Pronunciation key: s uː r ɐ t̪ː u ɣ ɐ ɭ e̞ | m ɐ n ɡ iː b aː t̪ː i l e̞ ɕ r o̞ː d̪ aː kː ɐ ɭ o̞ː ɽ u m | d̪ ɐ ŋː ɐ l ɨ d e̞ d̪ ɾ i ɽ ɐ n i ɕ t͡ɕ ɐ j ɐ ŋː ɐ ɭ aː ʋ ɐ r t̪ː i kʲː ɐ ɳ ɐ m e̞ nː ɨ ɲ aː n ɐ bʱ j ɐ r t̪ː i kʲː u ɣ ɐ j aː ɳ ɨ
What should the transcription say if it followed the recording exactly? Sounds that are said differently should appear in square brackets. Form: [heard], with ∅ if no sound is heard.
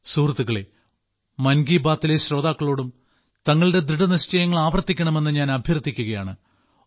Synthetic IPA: s uː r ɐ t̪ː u ɣ ɐ ɭ e̞ | m ɐ n ɡ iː b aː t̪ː i l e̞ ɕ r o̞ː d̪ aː kː ɐ ɭ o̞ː ɽ u m | [t̪] ɐ ŋː ɐ [ɭ] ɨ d e̞ d̪ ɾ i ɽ ɐ n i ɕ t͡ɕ ɐ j ɐ ŋː ɐ ɭ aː ʋ ɐ r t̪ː i kʲː ɐ ɳ ɐ m e̞ nː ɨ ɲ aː n ɐ bʱ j ɐ r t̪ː i kʲː u ɣ ɐ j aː ɳ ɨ